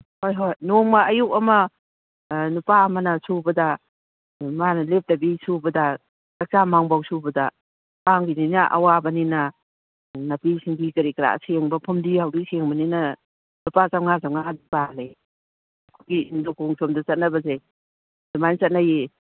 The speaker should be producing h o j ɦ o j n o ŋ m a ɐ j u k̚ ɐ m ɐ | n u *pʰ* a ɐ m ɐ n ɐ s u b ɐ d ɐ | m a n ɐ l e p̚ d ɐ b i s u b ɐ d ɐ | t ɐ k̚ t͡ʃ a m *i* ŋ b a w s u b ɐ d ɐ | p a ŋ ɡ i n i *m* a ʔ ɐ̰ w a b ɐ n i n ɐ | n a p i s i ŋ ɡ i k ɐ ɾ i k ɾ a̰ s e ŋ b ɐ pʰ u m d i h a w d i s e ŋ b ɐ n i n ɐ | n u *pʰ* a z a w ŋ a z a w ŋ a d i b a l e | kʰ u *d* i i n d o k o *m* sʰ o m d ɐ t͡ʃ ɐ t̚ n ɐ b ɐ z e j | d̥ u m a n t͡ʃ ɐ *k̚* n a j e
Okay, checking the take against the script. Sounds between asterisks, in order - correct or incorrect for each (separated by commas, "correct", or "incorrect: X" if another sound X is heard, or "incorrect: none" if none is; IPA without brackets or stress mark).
incorrect: p, incorrect: a, incorrect: n, incorrect: p, incorrect: ɡ, incorrect: ŋ, incorrect: t̚